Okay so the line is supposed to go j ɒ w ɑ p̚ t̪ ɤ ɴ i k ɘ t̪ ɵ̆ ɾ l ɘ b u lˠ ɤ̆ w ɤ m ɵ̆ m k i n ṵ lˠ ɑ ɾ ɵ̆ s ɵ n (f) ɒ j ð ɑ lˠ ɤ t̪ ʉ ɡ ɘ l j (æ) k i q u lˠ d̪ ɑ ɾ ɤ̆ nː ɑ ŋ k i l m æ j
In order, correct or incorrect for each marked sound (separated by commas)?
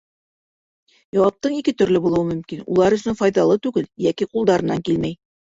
correct, correct